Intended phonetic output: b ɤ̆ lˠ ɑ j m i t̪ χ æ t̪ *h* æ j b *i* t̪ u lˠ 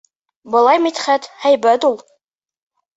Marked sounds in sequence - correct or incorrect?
correct, incorrect

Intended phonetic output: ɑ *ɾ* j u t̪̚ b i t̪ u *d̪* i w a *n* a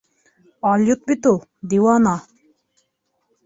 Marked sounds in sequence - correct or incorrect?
incorrect, correct, correct

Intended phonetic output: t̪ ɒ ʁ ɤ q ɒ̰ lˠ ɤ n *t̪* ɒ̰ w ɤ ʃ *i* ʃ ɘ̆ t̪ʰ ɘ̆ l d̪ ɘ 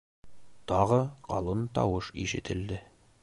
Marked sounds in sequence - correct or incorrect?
correct, correct

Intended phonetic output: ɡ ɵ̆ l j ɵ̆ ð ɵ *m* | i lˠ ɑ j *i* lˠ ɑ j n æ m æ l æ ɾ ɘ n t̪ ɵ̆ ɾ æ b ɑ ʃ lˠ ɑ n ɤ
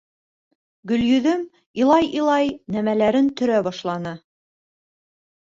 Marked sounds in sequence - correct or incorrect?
correct, correct

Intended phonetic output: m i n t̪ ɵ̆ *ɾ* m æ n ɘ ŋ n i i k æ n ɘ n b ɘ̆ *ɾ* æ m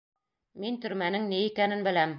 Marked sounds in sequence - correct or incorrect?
correct, incorrect

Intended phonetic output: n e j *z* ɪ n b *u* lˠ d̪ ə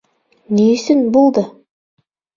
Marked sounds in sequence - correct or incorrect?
incorrect, incorrect

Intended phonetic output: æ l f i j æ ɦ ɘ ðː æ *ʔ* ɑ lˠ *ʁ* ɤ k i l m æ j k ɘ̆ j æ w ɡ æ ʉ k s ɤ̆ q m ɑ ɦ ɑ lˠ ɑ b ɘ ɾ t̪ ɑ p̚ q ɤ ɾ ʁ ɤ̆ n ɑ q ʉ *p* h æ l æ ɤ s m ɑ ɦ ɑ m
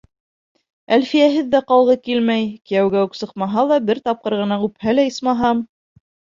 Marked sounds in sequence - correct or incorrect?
incorrect, correct, correct

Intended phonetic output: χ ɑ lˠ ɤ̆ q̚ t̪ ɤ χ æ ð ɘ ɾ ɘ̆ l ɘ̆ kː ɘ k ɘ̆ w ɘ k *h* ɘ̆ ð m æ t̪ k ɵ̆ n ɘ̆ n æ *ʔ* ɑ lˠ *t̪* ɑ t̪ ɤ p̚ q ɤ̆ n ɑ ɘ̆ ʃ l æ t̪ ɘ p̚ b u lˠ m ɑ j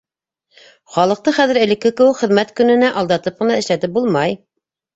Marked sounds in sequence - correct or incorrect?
incorrect, correct, incorrect

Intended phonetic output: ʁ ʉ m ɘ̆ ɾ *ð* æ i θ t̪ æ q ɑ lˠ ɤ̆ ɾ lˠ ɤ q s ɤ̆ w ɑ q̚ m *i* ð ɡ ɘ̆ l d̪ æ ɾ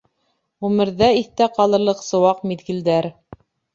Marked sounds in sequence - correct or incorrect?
correct, correct

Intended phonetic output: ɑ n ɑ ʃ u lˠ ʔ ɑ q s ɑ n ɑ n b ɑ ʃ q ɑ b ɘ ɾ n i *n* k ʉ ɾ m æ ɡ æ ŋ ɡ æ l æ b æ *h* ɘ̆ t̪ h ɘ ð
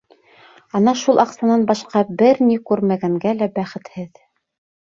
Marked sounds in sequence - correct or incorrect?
incorrect, incorrect

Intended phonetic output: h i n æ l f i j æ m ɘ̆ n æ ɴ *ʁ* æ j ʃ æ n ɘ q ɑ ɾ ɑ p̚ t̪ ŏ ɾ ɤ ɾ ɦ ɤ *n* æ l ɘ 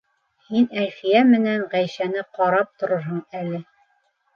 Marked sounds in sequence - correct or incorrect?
correct, incorrect

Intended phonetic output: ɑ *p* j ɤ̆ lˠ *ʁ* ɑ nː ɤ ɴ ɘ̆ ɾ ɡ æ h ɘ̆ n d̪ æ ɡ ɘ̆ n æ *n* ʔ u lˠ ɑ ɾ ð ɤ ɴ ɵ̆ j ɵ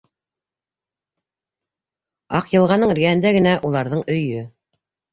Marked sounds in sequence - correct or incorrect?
incorrect, correct, incorrect

